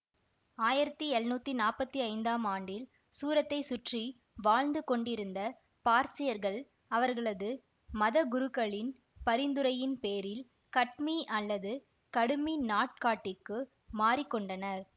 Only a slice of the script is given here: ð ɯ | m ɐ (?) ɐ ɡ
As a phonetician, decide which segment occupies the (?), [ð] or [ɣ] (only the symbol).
ð